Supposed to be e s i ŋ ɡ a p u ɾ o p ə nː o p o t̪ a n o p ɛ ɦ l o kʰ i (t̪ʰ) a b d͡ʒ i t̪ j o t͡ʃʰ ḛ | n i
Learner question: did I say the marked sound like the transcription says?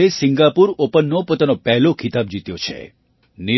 no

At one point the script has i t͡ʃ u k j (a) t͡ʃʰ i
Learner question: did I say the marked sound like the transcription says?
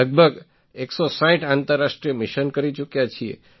yes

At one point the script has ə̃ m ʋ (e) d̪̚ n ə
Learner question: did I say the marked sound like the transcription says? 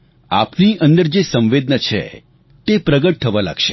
yes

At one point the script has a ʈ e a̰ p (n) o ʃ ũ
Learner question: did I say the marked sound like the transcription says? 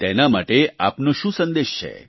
yes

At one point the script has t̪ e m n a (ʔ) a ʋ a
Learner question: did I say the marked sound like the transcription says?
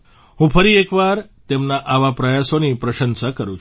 yes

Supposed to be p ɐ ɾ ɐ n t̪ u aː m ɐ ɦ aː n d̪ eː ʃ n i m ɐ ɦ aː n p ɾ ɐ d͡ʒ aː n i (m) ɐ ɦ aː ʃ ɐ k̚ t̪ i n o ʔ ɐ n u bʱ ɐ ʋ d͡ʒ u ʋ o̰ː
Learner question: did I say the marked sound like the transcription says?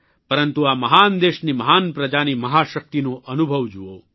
yes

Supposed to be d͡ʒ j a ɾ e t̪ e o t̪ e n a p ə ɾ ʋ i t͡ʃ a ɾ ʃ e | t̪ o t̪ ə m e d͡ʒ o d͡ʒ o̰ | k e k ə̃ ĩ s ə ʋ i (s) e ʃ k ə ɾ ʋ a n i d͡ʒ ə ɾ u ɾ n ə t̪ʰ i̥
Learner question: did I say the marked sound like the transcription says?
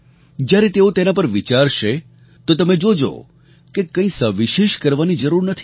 no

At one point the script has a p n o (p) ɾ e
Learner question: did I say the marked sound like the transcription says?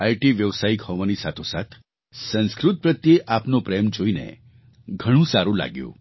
yes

